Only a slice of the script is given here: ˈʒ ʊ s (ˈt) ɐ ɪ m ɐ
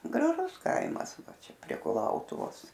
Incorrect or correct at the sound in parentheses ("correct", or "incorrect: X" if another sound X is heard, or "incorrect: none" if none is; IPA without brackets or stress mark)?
incorrect: k